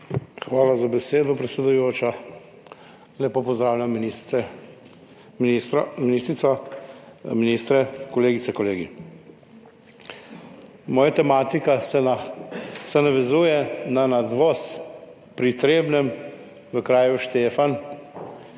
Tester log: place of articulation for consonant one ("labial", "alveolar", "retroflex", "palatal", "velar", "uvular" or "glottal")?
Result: velar